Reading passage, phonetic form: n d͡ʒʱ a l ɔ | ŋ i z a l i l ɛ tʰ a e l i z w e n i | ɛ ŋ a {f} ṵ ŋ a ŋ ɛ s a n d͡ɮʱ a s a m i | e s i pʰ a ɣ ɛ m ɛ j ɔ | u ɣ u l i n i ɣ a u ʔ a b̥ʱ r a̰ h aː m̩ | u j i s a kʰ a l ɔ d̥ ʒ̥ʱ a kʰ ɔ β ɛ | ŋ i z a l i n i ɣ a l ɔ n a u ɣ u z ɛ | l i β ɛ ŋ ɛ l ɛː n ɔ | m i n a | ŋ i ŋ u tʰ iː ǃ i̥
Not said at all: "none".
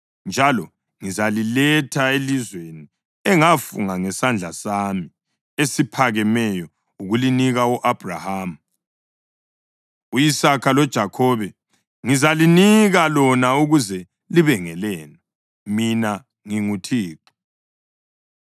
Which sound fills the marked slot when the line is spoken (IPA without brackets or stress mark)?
f